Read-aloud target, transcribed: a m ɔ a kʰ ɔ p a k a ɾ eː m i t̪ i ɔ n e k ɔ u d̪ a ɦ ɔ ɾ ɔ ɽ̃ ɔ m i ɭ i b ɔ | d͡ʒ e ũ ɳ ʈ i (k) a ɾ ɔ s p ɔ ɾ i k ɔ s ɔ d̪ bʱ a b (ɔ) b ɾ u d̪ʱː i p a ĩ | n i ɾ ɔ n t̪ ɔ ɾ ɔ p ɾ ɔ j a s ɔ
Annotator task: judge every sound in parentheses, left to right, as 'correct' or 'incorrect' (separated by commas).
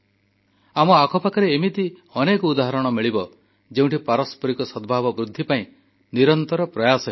incorrect, correct